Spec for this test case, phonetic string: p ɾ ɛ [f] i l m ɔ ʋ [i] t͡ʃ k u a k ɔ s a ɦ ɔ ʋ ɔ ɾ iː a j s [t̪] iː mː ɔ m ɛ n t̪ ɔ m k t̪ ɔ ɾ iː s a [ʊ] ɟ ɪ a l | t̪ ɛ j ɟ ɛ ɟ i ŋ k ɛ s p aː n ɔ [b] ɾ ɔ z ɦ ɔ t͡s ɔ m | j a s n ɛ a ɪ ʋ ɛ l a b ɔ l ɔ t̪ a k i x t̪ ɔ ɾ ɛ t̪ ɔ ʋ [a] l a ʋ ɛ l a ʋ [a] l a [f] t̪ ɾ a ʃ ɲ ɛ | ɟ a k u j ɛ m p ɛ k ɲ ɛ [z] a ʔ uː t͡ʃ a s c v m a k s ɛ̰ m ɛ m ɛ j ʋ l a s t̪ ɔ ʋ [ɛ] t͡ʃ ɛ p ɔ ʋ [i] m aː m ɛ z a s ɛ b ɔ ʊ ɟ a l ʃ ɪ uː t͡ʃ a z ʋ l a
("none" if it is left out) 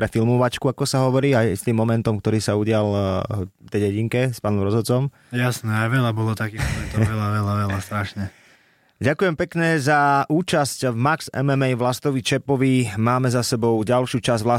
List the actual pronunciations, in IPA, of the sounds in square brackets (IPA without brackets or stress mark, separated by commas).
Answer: f, a, t̪, u, m, ɛ, ɛ, s, z, i, i